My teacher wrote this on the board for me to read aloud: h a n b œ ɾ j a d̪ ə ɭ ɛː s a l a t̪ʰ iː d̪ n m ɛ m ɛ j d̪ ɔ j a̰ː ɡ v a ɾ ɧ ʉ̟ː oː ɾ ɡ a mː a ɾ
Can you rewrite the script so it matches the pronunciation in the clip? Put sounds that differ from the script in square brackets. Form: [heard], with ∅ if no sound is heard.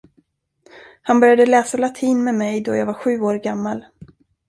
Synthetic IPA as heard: h a n b œ ɾ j a d̪ ə [l] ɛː s a l a t̪ʰ iː [∅] n m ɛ m ɛ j d̪ ɔ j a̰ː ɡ v a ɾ ɧ ʉ̟ː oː ɾ ɡ a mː a [l]